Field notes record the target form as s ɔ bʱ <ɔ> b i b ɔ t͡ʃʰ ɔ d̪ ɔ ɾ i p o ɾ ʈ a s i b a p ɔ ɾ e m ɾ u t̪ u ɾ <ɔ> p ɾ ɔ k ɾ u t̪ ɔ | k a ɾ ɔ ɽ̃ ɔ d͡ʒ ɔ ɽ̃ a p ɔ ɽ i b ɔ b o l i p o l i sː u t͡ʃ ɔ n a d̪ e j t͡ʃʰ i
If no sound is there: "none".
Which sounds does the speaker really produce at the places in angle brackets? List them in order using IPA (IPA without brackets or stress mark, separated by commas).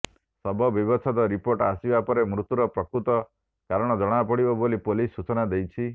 ɔ, ɔ